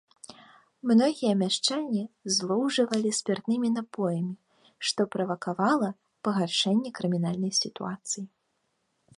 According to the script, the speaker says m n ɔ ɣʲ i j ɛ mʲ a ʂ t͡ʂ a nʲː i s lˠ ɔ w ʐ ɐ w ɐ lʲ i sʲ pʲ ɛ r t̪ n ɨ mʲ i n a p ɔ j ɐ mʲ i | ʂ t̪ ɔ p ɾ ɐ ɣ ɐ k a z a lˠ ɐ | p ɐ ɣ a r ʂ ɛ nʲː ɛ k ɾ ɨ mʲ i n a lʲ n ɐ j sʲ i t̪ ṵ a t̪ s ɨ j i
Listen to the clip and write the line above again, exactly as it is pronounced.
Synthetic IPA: m n ɔ ɣʲ i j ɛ mʲ a ʂ t͡ʂ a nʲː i z lˠ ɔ w ʐ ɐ v ɐ lʲ i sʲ pʲ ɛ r t̪ n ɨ mʲ i n a p ɔ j ɐ mʲ i | ʂ t̪ ɔ p ɾ ɐ v ɐ k a v a lˠ ɐ | p ɐ ɣ a r ʂ ɛ nʲː ɛ k ɾ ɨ mʲ i n a lʲ n ɐ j sʲ i t̪ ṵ a t̪ s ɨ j i